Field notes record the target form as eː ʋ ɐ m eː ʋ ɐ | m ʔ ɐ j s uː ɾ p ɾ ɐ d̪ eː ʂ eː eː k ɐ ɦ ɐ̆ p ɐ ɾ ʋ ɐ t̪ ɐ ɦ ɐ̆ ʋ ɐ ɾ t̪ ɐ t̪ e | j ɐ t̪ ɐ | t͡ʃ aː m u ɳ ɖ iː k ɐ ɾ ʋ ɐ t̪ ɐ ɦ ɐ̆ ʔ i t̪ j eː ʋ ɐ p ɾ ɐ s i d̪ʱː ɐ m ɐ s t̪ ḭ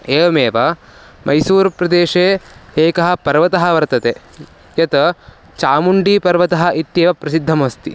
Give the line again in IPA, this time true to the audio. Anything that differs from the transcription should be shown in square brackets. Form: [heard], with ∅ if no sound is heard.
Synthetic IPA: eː ʋ ɐ m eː ʋ ɐ | m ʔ ɐ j s uː ɾ p ɾ ɐ d̪ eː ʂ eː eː k ɐ ɦ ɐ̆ p ɐ ɾ ʋ ɐ t̪ ɐ ɦ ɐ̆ ʋ ɐ ɾ t̪ ɐ t̪ e | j ɐ t̪ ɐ | t͡ʃ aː m u ɳ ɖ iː [p] ɐ ɾ ʋ ɐ t̪ ɐ ɦ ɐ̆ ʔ i t̪ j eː ʋ ɐ p ɾ ɐ s i d̪ʱː ɐ m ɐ s t̪ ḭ